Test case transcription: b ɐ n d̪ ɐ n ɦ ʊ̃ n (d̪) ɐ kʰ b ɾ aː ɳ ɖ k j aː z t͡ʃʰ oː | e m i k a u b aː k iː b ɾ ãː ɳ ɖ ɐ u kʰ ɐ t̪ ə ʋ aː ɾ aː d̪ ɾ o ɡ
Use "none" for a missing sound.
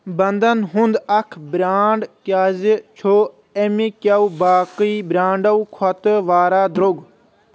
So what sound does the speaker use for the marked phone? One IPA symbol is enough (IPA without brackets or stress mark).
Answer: d̪